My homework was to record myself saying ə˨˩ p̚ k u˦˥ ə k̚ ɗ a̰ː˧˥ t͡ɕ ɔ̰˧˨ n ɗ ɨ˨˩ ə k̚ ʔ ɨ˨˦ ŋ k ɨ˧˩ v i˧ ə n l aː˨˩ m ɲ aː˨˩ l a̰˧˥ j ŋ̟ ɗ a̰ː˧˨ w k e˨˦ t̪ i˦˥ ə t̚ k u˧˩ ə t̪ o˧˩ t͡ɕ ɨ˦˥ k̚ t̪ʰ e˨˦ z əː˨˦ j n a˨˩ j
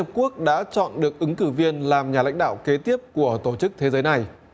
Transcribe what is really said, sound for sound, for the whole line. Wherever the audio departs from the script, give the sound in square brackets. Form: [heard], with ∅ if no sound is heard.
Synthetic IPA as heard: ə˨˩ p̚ k u˦˥ ə k̚ ɗ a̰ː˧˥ t͡ɕ ɔ̰˧˨ n ɗ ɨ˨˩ ə k̚ ʔ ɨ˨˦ ŋ k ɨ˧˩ v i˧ ə n l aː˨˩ m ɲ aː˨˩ l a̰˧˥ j ŋ̟ ɗ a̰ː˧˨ w k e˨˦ t̪ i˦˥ ə [p̚] k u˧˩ ə t̪ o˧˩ t͡ɕ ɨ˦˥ k̚ t̪ʰ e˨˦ z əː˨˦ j n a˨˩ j